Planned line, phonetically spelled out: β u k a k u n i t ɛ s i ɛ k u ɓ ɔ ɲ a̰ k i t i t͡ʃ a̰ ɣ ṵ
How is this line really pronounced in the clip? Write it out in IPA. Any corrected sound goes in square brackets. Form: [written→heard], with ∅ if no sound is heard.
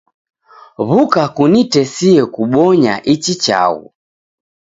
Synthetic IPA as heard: β u k a k u n i t ɛ s i ɛ k u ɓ ɔ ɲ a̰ [k→ʔ] i [t→t͡ʃ] i t͡ʃ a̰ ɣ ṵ